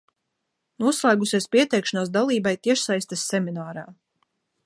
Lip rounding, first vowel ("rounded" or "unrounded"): rounded